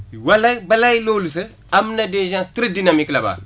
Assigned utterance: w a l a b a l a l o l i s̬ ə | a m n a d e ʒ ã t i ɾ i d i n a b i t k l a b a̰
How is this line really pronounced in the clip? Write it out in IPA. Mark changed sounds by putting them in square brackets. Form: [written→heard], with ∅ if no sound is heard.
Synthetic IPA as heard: w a l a b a l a l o l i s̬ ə | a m n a d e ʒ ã t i ɾ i d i n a [b→m] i [t→∅] k l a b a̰